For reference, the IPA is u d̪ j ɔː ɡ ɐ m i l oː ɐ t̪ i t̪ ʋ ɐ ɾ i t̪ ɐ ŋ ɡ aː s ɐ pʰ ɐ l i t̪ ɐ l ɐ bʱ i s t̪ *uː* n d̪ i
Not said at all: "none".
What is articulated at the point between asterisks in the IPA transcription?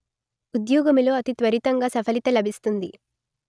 u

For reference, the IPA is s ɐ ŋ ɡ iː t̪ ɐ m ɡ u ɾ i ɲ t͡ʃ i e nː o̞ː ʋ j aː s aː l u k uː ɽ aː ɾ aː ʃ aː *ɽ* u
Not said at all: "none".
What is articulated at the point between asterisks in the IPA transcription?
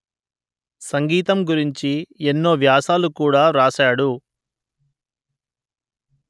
ɽ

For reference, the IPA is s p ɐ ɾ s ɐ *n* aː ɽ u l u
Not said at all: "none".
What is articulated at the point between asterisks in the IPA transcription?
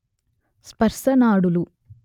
n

